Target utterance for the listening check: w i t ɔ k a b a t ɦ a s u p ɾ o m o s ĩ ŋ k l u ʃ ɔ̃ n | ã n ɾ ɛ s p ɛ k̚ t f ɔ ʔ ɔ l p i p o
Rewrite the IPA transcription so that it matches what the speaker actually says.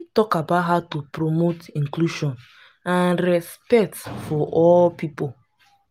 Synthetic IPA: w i t ɔ k a b a t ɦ a t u p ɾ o m o t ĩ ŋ k l u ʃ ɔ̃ n | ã n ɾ ɛ s p ɛ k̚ t f ɔ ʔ ɔ l p i p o